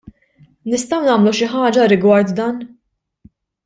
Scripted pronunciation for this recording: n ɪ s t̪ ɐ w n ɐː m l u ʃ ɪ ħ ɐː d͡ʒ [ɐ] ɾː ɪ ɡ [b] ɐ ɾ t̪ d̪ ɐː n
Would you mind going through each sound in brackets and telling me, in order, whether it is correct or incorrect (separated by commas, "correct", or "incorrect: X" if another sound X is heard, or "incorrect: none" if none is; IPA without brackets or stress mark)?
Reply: correct, incorrect: w